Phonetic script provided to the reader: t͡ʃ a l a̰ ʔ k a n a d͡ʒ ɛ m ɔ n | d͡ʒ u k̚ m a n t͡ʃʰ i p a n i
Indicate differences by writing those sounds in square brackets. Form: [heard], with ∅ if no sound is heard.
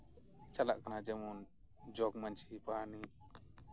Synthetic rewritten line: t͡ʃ a l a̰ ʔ k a n a d͡ʒ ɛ m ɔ n | d͡ʒ [ɔ] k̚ m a n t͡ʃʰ i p a n i